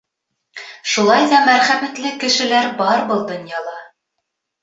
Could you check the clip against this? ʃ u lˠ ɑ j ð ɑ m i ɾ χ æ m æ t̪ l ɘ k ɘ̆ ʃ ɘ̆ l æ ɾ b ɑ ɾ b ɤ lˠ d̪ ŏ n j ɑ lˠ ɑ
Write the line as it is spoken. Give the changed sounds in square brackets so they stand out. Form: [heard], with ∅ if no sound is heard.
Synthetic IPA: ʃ u lˠ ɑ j ð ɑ m [æ] ɾ χ æ m æ t̪ l ɘ k ɘ̆ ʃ ɘ̆ l æ ɾ b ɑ ɾ b ɤ lˠ d̪ ŏ n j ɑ lˠ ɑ